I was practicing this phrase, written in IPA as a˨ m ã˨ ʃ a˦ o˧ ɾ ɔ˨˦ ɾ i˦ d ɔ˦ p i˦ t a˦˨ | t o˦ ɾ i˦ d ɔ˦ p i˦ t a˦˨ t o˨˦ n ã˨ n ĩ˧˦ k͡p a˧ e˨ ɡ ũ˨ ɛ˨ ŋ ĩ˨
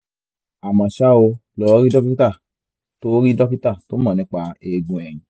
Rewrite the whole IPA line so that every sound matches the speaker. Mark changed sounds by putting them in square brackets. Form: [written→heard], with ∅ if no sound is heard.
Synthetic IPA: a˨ m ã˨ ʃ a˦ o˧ [ɾ→l] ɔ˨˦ ɾ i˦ d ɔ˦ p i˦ t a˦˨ | t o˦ ɾ i˦ d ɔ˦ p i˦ t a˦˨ t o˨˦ [n→m] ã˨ n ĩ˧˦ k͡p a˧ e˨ ɡ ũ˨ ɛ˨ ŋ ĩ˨